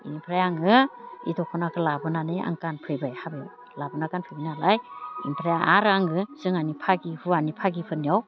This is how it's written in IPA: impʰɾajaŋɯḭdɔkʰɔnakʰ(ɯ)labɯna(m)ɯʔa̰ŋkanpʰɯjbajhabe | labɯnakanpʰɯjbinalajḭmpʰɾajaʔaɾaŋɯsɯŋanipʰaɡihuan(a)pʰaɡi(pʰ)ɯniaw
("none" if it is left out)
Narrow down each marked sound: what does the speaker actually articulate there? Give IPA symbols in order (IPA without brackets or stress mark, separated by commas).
ɯ, n, i, pʰ